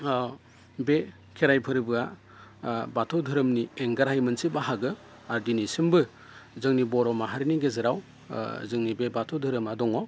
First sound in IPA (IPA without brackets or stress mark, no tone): b